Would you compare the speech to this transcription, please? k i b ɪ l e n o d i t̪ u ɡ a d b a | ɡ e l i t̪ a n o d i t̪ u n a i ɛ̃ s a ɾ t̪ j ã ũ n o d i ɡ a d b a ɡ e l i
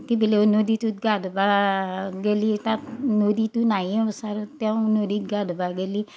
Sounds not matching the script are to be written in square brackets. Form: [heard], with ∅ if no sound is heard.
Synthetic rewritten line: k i b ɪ l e n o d i t̪ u ɡ a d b a | ɡ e l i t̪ a n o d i t̪ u n a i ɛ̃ s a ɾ t̪ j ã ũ n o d i ɡ a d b a ɡ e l i

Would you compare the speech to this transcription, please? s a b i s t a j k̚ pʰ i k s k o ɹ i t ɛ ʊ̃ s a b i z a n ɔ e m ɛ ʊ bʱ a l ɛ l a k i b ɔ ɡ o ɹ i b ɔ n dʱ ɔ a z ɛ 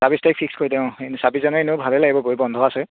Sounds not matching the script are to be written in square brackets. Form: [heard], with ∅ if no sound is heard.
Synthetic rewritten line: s a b i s t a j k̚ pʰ i k s k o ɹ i t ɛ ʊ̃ s a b i z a n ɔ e [n] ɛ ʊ bʱ a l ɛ l a [ɡ] i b ɔ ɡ o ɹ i b ɔ n dʱ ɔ a [s] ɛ

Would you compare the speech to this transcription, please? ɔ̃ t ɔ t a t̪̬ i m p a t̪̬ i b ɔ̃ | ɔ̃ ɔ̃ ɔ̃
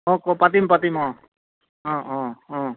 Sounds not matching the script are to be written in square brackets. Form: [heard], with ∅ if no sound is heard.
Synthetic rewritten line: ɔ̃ [k] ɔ [p] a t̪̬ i m p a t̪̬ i [m] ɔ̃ | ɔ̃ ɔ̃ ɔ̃

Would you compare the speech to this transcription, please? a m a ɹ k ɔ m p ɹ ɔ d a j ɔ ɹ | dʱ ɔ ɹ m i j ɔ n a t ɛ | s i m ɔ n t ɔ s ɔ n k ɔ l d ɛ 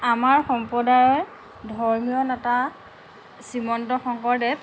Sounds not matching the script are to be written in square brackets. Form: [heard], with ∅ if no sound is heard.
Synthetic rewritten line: a m a ɹ [x] ɔ m p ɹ ɔ d a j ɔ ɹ | dʱ ɔ ɹ m i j ɔ n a t [a] | s i m ɔ n t ɔ [x] ɔ [ŋ] k ɔ [ɹ] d ɛ

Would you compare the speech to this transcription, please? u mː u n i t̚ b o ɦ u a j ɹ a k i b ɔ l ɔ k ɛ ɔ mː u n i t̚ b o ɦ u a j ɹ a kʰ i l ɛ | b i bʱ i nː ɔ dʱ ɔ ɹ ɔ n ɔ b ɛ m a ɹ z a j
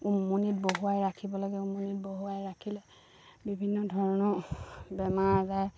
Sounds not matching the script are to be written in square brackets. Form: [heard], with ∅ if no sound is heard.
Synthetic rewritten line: u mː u n i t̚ b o ɦ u a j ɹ a [kʰ] i b ɔ l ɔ [ɡ] ɛ [u] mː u n i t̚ b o ɦ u a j ɹ a kʰ i l ɛ | b i bʱ i nː ɔ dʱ ɔ ɹ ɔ n ɔ b ɛ m a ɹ z a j

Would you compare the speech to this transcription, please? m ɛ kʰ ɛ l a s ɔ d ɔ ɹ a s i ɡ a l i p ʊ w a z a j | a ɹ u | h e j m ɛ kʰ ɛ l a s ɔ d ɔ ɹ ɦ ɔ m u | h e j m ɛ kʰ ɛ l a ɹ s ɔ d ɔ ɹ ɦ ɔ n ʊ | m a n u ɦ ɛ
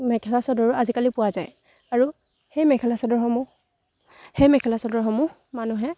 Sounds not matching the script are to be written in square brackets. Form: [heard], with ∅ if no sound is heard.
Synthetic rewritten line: m ɛ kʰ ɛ l a s ɔ d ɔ ɹ a [z] i [k] a l i p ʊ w a z a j | a ɹ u | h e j m ɛ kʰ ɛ l a s ɔ d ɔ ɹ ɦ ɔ m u | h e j m ɛ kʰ ɛ l a [∅] s ɔ d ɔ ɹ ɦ ɔ [m] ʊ | m a n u ɦ ɛ

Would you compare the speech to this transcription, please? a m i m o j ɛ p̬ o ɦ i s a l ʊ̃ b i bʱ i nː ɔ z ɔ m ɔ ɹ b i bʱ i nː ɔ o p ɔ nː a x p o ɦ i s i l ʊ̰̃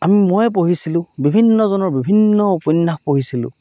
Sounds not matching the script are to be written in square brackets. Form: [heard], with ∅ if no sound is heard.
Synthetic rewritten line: a m i m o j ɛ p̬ o ɦ i s [i] l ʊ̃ b i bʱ i nː ɔ z ɔ [n] ɔ ɹ b i bʱ i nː ɔ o p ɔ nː a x p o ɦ i s i l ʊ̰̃

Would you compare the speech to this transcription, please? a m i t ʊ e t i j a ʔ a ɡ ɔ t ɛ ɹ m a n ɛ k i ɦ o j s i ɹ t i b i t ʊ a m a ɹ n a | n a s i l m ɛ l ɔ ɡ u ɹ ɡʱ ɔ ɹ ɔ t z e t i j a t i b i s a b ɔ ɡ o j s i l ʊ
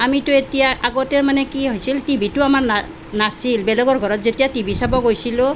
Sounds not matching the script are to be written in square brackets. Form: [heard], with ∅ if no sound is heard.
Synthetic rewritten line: a m i t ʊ e t i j a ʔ a ɡ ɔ t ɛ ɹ m a n ɛ k i ɦ o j s i [l] t i b i t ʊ a m a ɹ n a | n a s i l [b] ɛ l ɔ ɡ [ɔ] ɹ ɡʱ ɔ ɹ ɔ t z e t i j a t i b i s a b ɔ ɡ o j s i l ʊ

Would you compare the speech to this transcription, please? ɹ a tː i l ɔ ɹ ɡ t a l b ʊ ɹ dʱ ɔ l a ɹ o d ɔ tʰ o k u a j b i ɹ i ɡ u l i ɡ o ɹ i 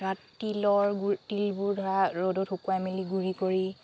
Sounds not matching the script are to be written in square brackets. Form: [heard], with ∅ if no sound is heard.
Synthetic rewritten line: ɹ a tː i l ɔ ɹ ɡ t [i] l b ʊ ɹ dʱ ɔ [ɹ] a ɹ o d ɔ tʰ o k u a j [m] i [l] i ɡ u [ɹ] i [k] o ɹ i

